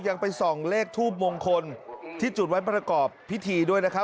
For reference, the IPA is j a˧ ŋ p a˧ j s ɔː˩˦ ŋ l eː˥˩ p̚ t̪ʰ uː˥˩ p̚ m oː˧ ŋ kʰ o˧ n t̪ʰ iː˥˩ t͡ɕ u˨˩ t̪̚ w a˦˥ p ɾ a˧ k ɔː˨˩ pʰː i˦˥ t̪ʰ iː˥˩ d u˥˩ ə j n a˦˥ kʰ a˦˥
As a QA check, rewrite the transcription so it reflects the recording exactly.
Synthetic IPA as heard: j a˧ ŋ p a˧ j s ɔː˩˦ ŋ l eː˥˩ k̚ t̪ʰ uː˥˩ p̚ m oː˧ ŋ kʰ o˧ n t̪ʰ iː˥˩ t͡ɕ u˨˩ t̪̚ w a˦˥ p ɾ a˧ k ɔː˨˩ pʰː i˦˥ t̪ʰ iː˧ d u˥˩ ə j n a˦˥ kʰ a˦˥

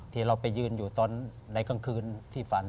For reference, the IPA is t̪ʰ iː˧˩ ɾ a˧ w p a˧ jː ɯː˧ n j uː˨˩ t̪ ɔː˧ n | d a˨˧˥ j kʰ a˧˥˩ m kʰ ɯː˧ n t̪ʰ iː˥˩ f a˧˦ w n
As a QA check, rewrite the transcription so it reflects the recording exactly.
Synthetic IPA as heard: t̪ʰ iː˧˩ ɾ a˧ w p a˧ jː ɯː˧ n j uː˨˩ t̪ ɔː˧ n | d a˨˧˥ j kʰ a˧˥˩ ŋ kʰ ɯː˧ n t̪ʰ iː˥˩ f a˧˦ n

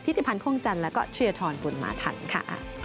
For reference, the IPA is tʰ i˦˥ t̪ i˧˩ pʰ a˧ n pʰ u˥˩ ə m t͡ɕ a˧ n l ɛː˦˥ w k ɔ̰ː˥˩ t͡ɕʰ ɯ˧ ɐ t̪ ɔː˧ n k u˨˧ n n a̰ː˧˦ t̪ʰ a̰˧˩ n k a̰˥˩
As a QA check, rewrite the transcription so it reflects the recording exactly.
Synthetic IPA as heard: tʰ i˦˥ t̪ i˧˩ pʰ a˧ n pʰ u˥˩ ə ŋ t͡ɕ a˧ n l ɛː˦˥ w k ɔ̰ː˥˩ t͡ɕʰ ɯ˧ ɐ t̪ʰ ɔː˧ n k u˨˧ n m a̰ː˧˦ t̪ʰ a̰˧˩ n kʰ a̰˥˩

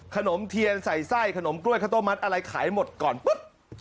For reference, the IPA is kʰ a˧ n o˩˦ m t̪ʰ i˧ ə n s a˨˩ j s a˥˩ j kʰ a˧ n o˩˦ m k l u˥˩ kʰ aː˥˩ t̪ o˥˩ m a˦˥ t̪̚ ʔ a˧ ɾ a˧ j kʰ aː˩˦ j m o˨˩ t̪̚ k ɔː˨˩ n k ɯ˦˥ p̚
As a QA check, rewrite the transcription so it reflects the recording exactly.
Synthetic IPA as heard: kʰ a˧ n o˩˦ m t̪ʰ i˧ ə n s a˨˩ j s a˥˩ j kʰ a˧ n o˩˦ m k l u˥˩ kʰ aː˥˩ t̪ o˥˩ m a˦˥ t̪̚ ʔ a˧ ɾ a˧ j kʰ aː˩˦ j m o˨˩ t̪̚ k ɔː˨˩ n p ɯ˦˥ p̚

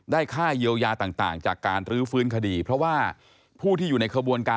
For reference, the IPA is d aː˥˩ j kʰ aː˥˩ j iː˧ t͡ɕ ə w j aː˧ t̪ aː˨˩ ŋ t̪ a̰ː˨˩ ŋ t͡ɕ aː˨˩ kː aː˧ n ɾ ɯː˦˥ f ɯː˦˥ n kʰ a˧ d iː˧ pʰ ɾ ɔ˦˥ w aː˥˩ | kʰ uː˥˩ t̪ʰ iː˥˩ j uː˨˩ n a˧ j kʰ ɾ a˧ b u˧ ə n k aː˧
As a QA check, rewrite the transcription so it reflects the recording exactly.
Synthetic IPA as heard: d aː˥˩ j kʰ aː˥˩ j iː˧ ə w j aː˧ t̪ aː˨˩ ŋ t̪ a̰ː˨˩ ŋ t͡ɕ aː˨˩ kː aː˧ n ɾ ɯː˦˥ f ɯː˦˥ n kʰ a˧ d iː˧ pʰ ɾ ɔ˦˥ w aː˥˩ | pʰ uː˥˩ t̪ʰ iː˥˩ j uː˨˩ n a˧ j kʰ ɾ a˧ b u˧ ə n k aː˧

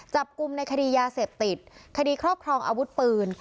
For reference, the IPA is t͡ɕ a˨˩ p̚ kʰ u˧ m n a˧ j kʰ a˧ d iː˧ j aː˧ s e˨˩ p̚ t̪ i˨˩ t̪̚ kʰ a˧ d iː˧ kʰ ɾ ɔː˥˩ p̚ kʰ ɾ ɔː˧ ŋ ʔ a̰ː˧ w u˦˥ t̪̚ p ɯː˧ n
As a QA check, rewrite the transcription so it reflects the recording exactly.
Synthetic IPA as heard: t͡ɕ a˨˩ p̚ k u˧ m n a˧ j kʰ a˧ d iː˧ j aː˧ s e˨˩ p̚ t̪ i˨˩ t̪̚ kʰ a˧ d iː˧ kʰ ɾ ɔː˥˩ p̚ kʰ ɾ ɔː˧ ŋ ʔ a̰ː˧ w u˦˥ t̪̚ p ɯː˧ n

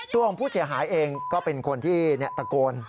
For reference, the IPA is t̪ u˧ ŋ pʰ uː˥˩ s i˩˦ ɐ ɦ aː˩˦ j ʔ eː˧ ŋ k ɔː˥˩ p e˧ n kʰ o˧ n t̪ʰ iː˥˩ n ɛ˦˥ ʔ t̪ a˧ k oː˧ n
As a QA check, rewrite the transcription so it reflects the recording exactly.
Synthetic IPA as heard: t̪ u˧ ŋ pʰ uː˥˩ s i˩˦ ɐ ɦ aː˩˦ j ʔ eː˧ ŋ k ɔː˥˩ p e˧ n kʰ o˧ n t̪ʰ iː˥˩ n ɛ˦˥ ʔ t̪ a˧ k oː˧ n

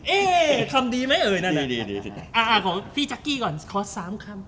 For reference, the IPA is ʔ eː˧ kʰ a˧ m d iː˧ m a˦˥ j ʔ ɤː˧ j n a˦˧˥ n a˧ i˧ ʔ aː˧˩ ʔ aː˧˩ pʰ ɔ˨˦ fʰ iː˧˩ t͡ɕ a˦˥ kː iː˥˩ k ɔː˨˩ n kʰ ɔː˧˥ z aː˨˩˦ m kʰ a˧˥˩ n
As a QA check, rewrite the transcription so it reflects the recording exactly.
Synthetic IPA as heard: ʔ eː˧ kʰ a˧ m d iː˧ m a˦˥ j ʔ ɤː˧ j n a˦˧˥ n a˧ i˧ ʔ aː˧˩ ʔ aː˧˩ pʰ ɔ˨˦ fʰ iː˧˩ t͡ɕ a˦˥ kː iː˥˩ k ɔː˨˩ n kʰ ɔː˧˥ s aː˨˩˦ m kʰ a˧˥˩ m

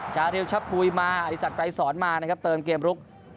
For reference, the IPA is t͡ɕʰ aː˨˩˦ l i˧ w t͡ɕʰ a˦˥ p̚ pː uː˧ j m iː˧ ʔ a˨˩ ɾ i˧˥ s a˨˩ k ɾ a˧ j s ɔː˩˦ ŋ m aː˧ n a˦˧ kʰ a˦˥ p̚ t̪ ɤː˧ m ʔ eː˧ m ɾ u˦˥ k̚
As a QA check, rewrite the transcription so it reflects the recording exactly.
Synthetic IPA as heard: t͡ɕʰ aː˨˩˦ ɾ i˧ w t͡ɕʰ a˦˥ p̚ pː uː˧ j m aː˧ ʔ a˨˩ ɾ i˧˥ s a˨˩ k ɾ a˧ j s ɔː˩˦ n m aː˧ n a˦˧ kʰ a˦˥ p̚ t̪ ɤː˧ m k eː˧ m ɾ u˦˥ k̚

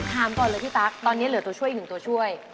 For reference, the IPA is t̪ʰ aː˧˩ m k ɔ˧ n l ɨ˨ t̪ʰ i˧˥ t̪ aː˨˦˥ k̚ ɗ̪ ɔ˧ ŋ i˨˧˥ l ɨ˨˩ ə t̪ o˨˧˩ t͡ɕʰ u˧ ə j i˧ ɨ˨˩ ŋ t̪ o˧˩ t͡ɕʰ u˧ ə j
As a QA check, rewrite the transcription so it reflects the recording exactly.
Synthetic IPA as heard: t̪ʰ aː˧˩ m k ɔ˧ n l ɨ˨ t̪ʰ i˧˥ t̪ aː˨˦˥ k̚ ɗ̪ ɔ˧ n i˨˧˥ l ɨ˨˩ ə t̪ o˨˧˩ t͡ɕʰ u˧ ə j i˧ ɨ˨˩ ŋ t̪ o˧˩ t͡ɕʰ u˧ ə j

